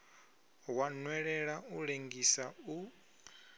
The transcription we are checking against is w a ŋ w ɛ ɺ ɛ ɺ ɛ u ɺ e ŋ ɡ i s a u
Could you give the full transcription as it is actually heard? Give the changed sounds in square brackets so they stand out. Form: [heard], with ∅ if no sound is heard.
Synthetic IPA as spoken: w a [n] w ɛ ɺ ɛ ɺ [a] u ɺ e ŋ ɡ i s a u